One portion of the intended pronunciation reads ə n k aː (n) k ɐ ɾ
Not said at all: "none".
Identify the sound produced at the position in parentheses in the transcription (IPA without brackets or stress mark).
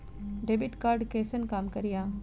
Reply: m